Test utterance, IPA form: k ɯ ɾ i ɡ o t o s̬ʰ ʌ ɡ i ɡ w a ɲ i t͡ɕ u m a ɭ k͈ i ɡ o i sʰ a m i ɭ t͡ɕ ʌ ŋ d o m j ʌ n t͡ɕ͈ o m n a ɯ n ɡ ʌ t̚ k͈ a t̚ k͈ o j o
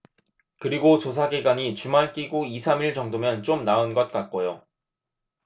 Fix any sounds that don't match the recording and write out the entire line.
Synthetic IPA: k ɯ ɾ i ɡ o t͡ɕ o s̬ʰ a ɡ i ɡ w a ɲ i t͡ɕ u m a ɭ k͈ i ɡ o i sʰ a m i ɭ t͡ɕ ʌ ŋ d o m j ʌ n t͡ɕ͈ o m n a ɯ n ɡ ʌ t̚ k͈ a t̚ k͈ o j o

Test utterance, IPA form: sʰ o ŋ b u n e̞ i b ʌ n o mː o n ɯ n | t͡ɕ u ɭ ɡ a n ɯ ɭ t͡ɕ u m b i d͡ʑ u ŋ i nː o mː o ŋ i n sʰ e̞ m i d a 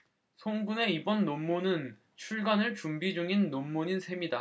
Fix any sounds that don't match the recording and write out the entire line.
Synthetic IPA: sʰ o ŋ ɡ u n e̞ i b ʌ nː o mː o n ɯ n | t͡ɕʰ u ɭ ɡ a n ɯ ɭ t͡ɕ u m b i d͡ʑ u ŋ i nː o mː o ɲ i n sʰ e̞ m i d a

